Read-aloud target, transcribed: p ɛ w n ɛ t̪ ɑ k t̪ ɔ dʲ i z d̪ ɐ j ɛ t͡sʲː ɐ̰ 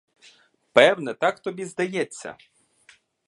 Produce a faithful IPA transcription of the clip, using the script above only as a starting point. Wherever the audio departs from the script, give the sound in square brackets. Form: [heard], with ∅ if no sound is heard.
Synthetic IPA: p ɛ w n ɛ t̪ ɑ k t̪ ɔ [bʲ] i z d̪ ɐ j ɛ t͡sʲː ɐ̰